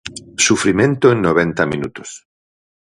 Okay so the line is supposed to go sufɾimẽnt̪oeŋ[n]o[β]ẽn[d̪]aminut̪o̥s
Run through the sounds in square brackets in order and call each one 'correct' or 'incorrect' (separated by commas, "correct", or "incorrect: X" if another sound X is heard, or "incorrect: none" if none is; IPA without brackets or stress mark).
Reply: correct, correct, incorrect: t̪